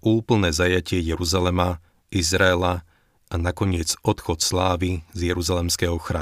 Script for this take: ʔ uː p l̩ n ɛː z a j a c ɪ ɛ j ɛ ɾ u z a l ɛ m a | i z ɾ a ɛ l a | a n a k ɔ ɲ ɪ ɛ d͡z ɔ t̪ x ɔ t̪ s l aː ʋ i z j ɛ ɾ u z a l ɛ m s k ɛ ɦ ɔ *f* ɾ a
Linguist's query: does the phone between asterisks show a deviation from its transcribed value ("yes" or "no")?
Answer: yes